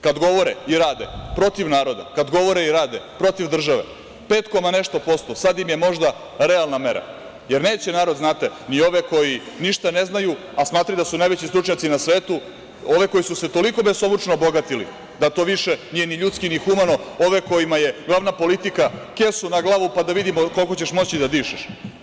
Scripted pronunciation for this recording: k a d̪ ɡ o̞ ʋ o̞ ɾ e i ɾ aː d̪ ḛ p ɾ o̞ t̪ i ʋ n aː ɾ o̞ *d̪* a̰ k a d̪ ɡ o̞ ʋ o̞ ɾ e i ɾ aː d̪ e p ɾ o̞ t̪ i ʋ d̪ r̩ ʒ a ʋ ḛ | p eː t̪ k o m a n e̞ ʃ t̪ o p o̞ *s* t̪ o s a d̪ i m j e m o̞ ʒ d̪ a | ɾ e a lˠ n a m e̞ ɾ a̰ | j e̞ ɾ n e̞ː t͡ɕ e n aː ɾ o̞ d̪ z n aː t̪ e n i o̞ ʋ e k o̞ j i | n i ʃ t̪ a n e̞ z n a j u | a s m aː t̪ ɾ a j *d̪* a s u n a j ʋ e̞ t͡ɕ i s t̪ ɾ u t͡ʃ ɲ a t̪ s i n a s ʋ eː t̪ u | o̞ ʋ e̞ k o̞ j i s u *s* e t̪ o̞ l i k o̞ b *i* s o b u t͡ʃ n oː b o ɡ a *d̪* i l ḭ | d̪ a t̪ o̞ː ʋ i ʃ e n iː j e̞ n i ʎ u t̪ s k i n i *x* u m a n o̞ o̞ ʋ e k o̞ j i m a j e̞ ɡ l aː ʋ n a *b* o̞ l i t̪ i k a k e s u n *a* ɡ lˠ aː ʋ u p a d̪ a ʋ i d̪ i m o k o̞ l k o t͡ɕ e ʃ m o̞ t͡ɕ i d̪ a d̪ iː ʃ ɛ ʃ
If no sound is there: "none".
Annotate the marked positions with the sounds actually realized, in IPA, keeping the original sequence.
d̪, s, d̪, s, e, t̪, x, p, a

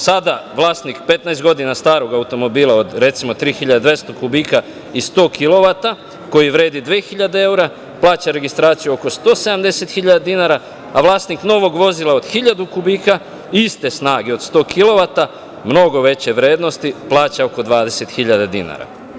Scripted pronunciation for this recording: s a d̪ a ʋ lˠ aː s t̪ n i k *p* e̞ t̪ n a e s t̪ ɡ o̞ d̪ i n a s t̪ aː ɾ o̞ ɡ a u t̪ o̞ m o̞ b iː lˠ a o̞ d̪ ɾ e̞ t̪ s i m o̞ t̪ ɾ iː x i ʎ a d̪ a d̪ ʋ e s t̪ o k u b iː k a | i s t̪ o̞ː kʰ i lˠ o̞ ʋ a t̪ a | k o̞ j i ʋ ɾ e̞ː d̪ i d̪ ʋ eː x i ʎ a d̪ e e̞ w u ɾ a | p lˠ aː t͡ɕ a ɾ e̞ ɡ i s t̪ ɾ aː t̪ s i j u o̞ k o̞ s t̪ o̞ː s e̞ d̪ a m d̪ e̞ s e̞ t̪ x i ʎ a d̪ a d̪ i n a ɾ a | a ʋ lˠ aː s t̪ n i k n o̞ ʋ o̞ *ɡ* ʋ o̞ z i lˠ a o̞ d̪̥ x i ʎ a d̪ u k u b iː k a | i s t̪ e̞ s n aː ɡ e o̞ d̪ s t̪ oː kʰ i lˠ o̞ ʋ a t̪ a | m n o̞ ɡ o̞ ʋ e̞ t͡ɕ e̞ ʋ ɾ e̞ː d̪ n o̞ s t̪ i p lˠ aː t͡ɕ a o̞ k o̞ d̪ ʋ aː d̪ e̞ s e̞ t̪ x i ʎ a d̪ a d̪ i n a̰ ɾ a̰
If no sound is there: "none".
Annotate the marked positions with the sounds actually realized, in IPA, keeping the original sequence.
p, ɡ

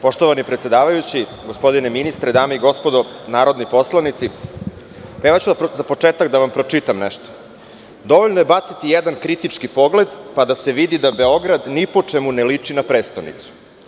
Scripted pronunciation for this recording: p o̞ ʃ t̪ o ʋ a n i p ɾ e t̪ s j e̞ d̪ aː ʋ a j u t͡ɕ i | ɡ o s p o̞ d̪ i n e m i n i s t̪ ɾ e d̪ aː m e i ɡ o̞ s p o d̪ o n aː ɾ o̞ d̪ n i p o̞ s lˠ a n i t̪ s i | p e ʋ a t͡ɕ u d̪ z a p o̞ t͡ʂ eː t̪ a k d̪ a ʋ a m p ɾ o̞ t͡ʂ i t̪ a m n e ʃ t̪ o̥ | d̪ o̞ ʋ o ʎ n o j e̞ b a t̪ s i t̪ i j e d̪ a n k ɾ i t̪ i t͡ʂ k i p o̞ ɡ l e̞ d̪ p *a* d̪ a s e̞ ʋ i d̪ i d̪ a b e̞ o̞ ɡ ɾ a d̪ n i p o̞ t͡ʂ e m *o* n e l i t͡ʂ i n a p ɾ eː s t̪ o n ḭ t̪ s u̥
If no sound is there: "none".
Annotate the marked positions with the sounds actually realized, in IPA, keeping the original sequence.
a, u

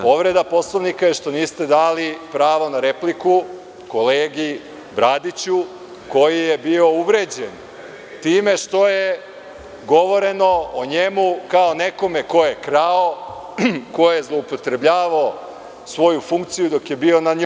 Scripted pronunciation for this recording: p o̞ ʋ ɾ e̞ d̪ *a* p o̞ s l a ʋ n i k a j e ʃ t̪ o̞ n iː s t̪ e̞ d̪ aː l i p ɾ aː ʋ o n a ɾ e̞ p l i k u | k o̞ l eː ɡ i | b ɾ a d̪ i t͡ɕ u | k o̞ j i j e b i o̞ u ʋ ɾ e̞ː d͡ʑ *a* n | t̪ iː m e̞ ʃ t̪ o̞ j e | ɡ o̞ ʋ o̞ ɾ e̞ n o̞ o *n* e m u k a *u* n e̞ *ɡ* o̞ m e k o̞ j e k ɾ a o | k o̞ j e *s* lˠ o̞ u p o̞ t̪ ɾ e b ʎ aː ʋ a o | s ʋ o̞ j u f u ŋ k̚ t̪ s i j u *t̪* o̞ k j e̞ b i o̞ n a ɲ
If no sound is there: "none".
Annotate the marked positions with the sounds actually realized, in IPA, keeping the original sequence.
a, e, ɲ, o, k, z, d̪

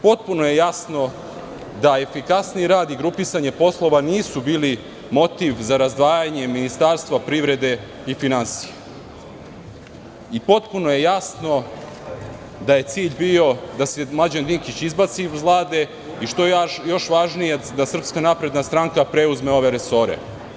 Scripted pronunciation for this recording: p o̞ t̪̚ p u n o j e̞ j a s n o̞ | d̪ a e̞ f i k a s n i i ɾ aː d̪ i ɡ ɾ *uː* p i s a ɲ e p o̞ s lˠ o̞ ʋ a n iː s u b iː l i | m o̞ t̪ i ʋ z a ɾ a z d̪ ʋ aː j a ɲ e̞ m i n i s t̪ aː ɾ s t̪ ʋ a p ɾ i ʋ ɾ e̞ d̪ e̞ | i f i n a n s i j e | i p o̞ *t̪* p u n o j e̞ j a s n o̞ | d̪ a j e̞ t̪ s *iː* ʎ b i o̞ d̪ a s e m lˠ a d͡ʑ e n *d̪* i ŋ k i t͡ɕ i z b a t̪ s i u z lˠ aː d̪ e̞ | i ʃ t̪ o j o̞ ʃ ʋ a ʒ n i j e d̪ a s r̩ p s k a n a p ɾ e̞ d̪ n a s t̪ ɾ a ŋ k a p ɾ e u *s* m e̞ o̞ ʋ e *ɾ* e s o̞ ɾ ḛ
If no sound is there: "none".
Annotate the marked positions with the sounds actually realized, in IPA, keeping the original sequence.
u, t̪, iː, d̪, z, ɾ

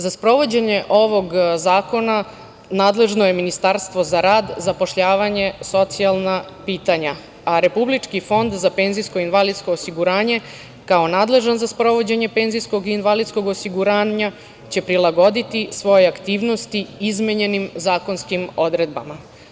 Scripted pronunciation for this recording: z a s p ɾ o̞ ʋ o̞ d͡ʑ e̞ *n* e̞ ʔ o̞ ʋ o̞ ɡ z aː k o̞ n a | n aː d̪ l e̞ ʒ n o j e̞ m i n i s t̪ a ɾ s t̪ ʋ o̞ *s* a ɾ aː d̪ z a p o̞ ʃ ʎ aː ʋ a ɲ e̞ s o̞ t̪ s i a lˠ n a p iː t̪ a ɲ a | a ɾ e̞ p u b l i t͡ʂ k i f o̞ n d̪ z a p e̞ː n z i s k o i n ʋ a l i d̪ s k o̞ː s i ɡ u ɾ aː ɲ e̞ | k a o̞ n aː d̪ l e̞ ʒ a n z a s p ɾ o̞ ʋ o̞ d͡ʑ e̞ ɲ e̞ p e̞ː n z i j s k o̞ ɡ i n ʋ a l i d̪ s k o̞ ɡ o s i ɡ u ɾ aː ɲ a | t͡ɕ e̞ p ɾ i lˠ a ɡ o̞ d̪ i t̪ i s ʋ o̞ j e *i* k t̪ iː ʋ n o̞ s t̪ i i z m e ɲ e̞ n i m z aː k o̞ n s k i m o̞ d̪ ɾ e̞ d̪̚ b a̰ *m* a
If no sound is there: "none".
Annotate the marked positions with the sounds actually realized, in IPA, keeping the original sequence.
ɲ, z, a, m

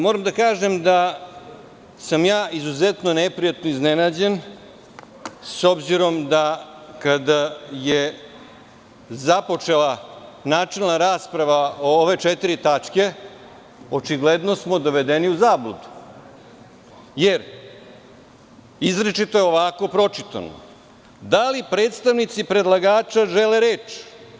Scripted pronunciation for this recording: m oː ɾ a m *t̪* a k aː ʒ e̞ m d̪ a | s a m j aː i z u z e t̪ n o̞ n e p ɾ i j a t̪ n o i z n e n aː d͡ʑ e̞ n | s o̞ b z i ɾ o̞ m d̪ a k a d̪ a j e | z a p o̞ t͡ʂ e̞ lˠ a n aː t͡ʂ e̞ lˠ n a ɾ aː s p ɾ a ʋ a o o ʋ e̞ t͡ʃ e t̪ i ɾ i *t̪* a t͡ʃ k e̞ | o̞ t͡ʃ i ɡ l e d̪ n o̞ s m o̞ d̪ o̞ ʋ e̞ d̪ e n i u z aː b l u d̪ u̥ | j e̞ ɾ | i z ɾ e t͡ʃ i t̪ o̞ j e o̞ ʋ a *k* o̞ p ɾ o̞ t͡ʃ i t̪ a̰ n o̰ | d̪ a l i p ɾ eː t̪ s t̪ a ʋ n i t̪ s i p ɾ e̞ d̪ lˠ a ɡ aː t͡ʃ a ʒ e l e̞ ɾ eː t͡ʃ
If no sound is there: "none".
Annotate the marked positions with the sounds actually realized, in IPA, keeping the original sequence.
d̪, t̪, k

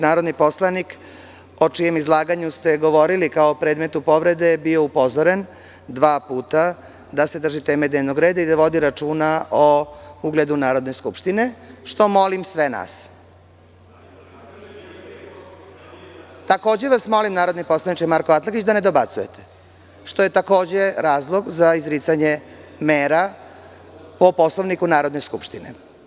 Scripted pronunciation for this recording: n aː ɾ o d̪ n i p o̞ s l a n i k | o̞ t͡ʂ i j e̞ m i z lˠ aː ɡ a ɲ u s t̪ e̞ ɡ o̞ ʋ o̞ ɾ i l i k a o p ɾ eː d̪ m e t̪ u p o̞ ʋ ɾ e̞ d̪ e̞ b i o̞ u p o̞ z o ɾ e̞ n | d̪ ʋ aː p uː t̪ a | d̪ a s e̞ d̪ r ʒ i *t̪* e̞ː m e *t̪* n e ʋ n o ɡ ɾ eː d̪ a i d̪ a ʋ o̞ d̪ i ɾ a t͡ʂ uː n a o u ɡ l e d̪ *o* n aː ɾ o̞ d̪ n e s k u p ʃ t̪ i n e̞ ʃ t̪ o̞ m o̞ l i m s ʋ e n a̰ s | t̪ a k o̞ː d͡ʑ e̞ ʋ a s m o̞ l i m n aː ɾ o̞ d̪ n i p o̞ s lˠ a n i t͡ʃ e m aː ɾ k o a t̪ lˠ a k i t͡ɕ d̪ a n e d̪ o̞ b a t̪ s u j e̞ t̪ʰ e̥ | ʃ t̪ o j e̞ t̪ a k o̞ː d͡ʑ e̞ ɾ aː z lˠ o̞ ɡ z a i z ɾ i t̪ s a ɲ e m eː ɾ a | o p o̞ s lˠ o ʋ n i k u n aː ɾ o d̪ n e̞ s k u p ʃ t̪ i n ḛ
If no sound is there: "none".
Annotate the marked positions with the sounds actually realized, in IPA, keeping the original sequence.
t̪, d̪, u

